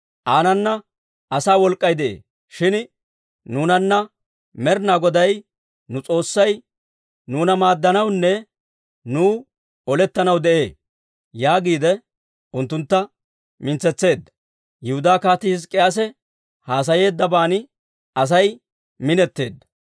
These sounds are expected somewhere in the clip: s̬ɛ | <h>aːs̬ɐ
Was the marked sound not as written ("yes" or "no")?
no